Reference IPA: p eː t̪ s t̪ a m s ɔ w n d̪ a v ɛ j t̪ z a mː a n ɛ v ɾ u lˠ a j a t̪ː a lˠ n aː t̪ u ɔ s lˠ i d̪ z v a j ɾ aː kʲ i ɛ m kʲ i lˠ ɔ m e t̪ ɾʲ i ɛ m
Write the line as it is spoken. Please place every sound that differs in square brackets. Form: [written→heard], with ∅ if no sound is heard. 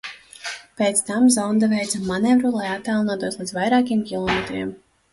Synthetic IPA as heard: p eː t̪ s t̪ a m [s→z] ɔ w n d̪ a v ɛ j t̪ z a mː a n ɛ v ɾ u lˠ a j a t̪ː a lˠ n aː t̪ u ɔ s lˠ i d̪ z v a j ɾ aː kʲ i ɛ m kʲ i lˠ ɔ m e t̪ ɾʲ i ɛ m